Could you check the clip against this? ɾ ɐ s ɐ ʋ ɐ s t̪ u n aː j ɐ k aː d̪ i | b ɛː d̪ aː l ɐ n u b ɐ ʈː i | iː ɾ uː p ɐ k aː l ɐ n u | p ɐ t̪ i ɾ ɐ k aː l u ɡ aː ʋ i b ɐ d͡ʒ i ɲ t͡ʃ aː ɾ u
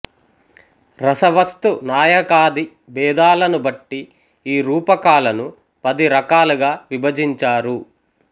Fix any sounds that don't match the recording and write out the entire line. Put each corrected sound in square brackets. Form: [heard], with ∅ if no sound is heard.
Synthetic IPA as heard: ɾ ɐ s ɐ ʋ ɐ s t̪ u n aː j ɐ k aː d̪ i | b ɛː d̪ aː l ɐ n u b ɐ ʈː i | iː ɾ uː p ɐ k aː l ɐ n u | p ɐ [d̪] i ɾ ɐ k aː l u ɡ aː ʋ i b ɐ d͡ʒ i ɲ t͡ʃ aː ɾ u